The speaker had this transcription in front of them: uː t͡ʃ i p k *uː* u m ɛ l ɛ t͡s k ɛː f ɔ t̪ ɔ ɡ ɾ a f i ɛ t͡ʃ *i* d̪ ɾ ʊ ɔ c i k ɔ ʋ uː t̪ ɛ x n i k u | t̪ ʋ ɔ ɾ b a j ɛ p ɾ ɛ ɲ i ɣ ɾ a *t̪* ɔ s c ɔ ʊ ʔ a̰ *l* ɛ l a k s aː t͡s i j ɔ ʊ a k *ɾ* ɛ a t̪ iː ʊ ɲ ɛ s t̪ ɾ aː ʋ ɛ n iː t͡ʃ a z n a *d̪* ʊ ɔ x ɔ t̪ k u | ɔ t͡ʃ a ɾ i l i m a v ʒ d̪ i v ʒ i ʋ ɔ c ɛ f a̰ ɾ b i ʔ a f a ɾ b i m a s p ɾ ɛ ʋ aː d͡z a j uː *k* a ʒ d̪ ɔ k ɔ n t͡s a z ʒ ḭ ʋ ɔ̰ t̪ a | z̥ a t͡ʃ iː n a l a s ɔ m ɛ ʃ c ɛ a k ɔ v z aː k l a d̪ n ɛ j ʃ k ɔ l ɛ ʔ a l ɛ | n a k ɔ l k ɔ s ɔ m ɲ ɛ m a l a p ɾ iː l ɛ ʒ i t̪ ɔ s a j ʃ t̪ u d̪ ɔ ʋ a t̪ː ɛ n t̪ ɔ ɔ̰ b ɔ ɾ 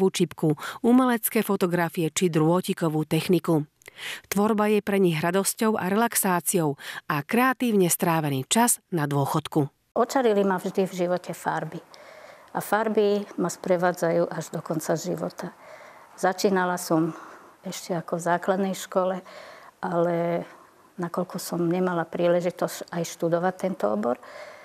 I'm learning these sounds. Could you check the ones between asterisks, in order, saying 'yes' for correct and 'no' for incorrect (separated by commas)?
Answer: no, yes, no, no, yes, yes, no